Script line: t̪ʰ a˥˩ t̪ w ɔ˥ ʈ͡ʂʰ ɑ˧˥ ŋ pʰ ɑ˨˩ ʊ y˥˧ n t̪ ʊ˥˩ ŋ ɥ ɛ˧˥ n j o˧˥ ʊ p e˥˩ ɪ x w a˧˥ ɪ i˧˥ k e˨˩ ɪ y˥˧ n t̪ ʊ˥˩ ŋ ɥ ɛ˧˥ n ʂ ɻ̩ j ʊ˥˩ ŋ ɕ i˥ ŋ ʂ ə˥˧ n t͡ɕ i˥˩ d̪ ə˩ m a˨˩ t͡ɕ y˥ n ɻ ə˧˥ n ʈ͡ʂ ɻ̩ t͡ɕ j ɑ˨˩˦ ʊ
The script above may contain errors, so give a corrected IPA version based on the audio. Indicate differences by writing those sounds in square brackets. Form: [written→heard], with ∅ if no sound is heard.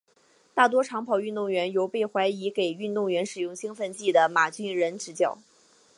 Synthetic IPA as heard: [t̪ʰ→t̪] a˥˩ t̪ w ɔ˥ ʈ͡ʂʰ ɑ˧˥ ŋ pʰ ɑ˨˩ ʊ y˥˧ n t̪ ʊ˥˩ ŋ ɥ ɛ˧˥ n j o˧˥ ʊ p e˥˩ ɪ x w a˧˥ ɪ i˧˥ k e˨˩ ɪ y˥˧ n t̪ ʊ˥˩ ŋ ɥ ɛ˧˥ n ʂ ɻ̩ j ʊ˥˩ ŋ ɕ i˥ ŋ [ʂ→f] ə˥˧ n t͡ɕ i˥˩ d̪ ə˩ m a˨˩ t͡ɕ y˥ n ɻ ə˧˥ n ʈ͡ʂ ɻ̩ t͡ɕ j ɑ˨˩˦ ʊ